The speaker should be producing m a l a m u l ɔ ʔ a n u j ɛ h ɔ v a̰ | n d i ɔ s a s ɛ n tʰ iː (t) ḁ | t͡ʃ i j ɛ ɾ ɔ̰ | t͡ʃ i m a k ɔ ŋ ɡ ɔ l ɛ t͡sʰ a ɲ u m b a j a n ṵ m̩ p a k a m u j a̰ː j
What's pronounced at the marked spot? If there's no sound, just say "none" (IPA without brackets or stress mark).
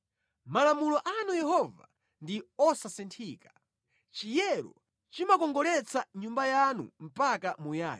k